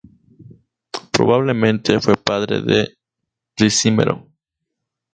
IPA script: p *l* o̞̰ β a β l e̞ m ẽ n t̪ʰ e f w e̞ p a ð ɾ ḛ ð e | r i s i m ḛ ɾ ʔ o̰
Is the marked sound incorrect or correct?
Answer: incorrect: ɾ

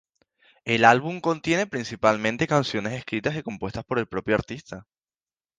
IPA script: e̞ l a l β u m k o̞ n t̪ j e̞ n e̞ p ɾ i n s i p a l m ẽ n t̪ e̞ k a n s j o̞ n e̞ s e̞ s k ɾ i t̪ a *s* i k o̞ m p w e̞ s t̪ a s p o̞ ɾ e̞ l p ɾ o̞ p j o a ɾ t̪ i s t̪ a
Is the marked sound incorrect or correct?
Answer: correct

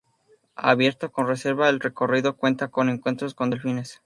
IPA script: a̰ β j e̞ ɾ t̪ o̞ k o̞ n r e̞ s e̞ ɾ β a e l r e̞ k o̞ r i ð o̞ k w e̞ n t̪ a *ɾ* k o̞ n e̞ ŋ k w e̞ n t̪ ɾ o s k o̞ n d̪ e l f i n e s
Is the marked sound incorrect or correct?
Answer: incorrect: none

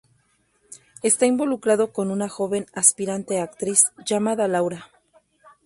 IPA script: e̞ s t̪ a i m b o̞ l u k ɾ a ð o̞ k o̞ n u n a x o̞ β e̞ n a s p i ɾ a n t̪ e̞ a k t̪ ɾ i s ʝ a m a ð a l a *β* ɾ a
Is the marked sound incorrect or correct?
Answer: incorrect: w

